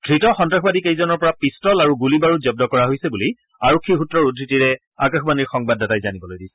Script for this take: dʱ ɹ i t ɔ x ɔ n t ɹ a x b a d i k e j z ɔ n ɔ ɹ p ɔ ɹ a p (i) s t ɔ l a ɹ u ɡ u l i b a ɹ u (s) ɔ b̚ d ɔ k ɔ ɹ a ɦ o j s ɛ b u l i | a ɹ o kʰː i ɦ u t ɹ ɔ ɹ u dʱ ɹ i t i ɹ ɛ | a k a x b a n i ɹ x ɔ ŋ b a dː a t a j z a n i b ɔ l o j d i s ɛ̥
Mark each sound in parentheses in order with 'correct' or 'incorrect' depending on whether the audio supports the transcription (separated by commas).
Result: correct, incorrect